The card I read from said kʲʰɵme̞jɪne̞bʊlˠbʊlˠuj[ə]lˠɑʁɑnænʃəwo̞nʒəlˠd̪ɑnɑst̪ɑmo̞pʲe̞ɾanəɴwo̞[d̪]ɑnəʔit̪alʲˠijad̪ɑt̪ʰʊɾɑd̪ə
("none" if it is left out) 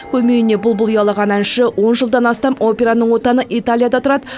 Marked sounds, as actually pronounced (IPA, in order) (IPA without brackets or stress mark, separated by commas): ɑ, t̪